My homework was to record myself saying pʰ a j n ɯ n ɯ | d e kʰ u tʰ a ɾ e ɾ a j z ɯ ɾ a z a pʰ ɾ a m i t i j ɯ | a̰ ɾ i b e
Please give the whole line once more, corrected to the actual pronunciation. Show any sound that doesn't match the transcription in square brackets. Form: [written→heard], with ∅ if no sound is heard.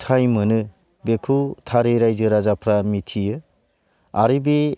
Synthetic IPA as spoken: [pʰ→tʰ] a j [n→m] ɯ n ɯ | [d→b] e kʰ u tʰ a ɾ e ɾ a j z ɯ ɾ a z a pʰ ɾ a m i [t→tʰ] i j ɯ | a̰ ɾ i b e

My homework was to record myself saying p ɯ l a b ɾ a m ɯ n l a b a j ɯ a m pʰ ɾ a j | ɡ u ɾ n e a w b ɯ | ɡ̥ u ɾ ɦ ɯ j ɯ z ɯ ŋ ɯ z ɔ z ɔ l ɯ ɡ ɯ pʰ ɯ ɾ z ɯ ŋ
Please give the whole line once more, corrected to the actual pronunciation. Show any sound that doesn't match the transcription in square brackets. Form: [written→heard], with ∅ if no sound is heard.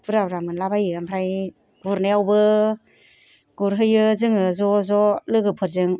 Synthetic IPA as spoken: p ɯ [l→ɾ] a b ɾ a m ɯ n l a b a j ɯ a m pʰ ɾ a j | ɡ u ɾ n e a w b ɯ | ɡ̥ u ɾ ɦ ɯ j ɯ z ɯ ŋ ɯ z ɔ z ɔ l ɯ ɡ ɯ pʰ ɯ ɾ z ɯ ŋ

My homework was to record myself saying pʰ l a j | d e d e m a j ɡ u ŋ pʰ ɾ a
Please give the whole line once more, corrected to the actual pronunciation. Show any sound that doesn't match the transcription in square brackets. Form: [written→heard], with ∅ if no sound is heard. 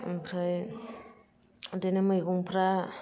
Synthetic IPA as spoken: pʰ [l→ɾ] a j | d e [d→n] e m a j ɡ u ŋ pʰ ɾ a

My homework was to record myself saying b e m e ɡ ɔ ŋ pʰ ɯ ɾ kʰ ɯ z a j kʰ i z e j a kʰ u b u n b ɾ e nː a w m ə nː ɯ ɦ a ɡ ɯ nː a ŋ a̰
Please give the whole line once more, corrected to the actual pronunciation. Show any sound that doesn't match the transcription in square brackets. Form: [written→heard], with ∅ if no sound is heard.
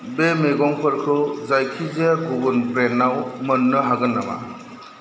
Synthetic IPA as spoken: b e m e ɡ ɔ ŋ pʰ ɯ ɾ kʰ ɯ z a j kʰ i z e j a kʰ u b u n [b→p] ɾ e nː a w m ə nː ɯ ɦ a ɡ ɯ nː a [ŋ→m] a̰

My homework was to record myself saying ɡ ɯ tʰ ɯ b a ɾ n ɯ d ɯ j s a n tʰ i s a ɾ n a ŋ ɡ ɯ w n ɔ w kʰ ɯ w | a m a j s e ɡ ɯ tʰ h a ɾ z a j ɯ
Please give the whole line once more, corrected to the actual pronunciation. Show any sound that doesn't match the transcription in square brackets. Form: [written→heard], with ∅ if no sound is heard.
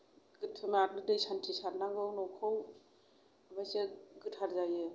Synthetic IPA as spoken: ɡ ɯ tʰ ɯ [b→m] a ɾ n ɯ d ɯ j s a n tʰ i s a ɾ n a ŋ ɡ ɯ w n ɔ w kʰ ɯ w | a m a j s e ɡ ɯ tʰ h a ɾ z a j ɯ

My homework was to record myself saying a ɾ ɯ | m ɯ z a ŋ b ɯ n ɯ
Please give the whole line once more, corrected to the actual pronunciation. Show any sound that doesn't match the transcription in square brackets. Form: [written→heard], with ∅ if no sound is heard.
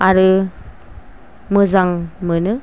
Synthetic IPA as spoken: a ɾ ɯ | m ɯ z a ŋ [b→m] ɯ n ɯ

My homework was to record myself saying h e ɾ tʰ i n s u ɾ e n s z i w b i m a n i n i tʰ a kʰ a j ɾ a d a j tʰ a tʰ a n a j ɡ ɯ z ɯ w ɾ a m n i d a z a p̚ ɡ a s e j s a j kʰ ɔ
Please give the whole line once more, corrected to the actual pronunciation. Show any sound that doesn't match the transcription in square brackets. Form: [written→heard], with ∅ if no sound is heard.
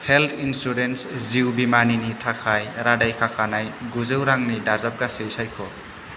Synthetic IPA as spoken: h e [ɾ→l] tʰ i n s u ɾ e n s z i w b i m a n i n i tʰ a kʰ a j ɾ a d a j [tʰ→kʰ] a [tʰ→kʰ] a n a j ɡ [ɯ→u] z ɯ w ɾ a [m→ŋ] n i d a z a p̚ ɡ a s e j s a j kʰ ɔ

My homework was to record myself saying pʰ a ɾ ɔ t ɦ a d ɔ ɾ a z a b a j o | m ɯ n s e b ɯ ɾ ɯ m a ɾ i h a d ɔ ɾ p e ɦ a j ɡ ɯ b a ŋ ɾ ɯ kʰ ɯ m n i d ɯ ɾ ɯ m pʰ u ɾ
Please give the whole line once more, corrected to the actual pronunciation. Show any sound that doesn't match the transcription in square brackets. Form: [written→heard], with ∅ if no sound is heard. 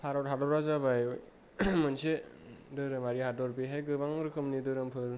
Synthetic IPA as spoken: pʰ a ɾ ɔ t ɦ a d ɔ ɾ a z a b a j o | m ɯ n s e [b→d] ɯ ɾ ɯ m a ɾ i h a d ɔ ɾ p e ɦ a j ɡ ɯ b a ŋ ɾ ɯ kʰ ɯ m n i d ɯ ɾ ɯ m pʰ [u→ɯ] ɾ

